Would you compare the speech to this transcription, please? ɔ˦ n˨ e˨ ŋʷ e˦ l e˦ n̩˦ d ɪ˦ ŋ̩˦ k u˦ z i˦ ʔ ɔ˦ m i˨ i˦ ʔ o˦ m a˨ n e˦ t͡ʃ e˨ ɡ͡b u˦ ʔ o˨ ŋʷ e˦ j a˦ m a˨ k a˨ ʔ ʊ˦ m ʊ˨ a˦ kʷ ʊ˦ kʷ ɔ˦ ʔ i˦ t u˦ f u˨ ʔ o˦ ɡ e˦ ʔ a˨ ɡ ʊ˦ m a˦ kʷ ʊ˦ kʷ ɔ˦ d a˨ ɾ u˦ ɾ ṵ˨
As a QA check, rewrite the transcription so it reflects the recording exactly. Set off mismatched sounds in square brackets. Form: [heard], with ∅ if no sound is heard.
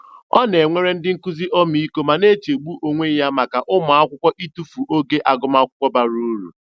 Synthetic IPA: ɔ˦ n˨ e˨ ŋʷ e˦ [ɾ] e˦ n̩˦ d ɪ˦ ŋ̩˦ k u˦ z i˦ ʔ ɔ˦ m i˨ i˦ [k] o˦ m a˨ n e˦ t͡ʃ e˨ ɡ͡b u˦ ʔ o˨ ŋʷ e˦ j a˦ m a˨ k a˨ ʔ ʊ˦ m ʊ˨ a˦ kʷ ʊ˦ kʷ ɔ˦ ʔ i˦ t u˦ f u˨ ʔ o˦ ɡ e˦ ʔ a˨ ɡ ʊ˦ m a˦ kʷ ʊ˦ kʷ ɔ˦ [b] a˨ ɾ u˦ ɾ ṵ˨